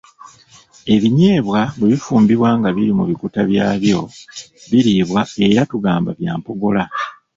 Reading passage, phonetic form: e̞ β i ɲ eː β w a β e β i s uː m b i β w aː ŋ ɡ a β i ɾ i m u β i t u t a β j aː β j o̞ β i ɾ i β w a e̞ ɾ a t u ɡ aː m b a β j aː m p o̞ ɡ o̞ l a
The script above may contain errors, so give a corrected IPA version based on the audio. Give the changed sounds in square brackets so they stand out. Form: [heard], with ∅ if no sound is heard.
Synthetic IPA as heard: e̞ β i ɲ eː β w a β e β i [f] uː m b i β w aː ŋ ɡ a β i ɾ i m u β i [k] u t a β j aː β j o̞ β i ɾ i β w a e̞ ɾ a t u ɡ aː m b a β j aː m p o̞ ɡ o̞ l a